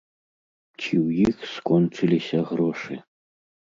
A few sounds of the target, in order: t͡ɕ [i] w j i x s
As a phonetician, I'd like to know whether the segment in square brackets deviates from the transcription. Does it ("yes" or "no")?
no